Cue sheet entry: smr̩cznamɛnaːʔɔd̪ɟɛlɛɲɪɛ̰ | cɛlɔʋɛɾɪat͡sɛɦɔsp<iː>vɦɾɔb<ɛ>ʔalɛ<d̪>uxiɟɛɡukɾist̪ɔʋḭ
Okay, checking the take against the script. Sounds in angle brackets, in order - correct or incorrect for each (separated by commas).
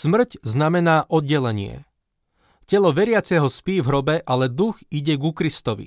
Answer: correct, correct, correct